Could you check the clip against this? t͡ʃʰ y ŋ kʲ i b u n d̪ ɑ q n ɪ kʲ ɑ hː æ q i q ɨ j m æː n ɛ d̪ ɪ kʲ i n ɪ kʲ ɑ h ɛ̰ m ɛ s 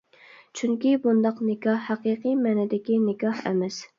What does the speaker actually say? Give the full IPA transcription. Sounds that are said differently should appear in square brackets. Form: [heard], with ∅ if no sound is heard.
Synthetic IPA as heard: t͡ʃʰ y ŋ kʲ i b u n d̪ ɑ q n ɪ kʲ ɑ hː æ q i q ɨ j m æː n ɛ d̪ ɪ kʲ i n ɪ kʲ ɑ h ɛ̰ m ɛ s